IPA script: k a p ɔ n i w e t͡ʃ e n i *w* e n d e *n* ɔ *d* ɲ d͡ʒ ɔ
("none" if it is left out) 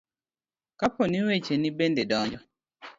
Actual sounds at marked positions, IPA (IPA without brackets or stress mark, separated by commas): b, d, none